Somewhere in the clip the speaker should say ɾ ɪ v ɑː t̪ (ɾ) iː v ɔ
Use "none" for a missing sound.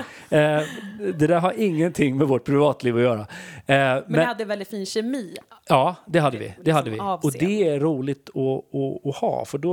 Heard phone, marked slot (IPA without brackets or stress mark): l